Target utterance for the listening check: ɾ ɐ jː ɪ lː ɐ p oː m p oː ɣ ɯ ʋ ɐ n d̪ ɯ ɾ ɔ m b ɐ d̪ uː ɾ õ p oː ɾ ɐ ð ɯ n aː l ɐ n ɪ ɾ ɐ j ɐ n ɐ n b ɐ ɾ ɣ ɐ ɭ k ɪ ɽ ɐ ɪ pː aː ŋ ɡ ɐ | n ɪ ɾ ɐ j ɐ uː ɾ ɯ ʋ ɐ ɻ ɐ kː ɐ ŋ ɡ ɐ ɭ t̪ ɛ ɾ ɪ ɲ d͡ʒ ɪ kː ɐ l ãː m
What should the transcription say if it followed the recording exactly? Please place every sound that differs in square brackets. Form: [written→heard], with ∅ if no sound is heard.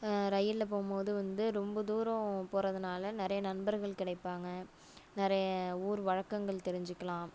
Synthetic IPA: ɾ ɐ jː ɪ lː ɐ p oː m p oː [ɣ→ð] ɯ ʋ ɐ n d̪ ɯ ɾ ɔ m b ɐ d̪ uː ɾ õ p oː ɾ ɐ ð ɯ n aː l ɐ n ɪ ɾ ɐ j ɐ n ɐ n b ɐ ɾ ɣ ɐ ɭ k ɪ ɽ ɐ ɪ pː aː ŋ ɡ ɐ | n ɪ ɾ ɐ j ɐ uː ɾ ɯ ʋ ɐ ɻ ɐ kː ɐ ŋ ɡ ɐ ɭ t̪ ɛ ɾ ɪ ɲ d͡ʒ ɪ kː ɐ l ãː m